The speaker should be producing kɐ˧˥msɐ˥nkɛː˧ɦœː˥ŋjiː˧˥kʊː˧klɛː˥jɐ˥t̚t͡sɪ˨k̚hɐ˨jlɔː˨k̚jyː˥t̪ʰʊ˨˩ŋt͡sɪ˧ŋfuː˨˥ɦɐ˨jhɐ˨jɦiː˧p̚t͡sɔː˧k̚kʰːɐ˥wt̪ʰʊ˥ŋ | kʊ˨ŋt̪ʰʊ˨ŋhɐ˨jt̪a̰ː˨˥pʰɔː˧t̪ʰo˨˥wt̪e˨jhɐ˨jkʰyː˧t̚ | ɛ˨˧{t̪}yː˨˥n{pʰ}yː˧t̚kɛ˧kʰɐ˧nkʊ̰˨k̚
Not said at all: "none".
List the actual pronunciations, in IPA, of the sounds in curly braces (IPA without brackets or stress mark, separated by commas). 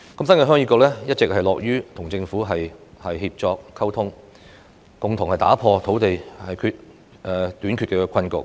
t̪, kʰ